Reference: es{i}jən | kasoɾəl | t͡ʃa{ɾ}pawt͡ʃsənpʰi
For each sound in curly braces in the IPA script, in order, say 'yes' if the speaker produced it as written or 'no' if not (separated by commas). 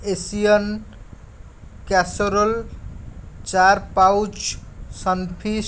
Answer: yes, yes